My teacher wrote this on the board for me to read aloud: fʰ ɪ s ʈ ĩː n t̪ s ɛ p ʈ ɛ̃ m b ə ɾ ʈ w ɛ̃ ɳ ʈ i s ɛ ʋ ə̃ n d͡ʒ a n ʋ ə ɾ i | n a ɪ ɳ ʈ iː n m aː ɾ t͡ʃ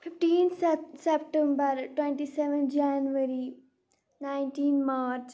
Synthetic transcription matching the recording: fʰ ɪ f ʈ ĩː n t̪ s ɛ p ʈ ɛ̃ m b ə ɾ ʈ w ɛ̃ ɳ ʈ i s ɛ ʋ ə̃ n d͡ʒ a n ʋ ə ɾ i | n a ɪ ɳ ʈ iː n m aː ɾ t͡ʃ